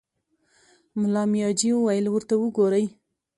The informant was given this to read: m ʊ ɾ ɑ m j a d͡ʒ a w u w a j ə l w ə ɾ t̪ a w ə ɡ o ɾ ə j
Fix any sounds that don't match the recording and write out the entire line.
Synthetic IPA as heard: m ʊ l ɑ m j ɑ d͡ʒ i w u w a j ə l w ə ɾ t̪ a w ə ɡ o ɾ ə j